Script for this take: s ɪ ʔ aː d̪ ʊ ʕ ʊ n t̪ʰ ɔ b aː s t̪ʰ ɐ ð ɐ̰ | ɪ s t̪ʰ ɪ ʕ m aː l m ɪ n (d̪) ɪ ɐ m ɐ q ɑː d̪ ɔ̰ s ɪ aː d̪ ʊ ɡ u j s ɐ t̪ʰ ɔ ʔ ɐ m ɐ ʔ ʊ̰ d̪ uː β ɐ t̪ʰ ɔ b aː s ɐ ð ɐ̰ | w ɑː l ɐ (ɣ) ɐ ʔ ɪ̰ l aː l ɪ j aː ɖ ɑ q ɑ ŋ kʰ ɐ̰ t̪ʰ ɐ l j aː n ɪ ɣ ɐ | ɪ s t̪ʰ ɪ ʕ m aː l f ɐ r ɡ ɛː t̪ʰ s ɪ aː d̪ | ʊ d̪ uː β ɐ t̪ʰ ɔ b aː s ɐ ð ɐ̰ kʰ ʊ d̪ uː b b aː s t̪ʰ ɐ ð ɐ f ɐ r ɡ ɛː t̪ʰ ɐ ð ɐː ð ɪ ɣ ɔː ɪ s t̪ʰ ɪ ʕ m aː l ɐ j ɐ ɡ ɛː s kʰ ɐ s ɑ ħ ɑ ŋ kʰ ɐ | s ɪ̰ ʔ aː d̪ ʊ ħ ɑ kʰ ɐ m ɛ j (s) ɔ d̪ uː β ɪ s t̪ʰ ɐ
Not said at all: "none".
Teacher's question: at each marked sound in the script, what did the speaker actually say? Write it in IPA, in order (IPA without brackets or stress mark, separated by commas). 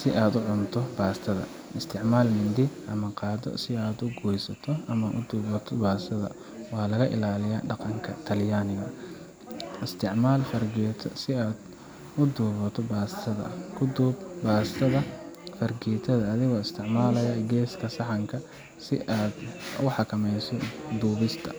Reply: d̪, ɣ, s